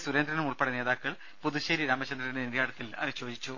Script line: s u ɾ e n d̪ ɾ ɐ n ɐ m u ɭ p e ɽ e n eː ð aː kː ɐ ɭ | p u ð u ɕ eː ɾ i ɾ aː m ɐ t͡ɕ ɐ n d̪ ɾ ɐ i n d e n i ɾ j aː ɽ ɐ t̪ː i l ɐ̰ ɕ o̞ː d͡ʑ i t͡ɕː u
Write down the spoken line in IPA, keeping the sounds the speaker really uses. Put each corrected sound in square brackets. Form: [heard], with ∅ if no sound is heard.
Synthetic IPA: s u ɾ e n d̪ ɾ ɐ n ɐ m u ɭ p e ɽ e n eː ð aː kː ɐ ɭ | p u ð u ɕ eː ɾ i ɾ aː m ɐ t͡ɕ ɐ n d̪ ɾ ɐ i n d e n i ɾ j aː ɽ ɐ t̪ː i l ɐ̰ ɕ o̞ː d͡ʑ i t͡ɕː u